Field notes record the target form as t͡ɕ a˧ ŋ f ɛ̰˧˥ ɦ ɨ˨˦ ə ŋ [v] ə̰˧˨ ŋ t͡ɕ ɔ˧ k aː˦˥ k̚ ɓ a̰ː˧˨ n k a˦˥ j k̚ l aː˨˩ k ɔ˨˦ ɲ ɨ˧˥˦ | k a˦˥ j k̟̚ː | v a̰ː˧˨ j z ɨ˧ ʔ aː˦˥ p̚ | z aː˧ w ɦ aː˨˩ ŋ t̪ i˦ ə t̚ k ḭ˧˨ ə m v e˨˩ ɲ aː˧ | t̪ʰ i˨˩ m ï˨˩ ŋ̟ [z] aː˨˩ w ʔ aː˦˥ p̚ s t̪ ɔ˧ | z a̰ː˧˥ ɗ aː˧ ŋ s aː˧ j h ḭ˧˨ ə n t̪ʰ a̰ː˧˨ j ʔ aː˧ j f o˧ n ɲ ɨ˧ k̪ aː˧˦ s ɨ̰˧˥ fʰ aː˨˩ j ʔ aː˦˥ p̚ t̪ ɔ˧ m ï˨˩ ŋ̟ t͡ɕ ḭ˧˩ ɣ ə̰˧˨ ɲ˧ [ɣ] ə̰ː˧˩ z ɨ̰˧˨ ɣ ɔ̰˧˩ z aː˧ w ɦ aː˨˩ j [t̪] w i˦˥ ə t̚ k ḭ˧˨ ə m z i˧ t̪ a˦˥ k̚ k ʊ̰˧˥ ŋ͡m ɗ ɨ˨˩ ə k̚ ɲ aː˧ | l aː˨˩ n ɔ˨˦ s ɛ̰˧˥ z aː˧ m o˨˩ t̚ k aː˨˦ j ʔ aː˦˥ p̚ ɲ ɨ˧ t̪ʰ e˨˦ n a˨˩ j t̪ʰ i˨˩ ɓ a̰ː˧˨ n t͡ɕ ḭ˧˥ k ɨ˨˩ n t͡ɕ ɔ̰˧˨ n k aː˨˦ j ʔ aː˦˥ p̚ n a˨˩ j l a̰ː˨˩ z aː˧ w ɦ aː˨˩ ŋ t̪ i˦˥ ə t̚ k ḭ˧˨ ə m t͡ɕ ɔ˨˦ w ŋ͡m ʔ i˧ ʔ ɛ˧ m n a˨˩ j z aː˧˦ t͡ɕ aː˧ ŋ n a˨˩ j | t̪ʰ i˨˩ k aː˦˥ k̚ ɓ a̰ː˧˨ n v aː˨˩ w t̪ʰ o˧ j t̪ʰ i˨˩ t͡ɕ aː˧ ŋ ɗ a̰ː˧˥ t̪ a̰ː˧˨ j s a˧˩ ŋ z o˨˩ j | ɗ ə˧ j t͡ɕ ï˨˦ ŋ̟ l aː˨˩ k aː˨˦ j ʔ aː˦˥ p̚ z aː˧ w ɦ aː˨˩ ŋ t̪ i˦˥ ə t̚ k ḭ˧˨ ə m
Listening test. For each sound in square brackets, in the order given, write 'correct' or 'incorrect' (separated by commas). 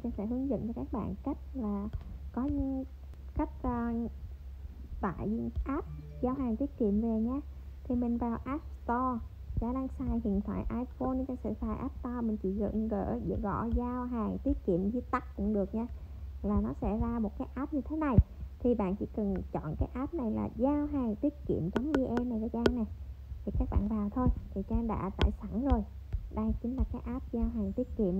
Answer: incorrect, incorrect, correct, correct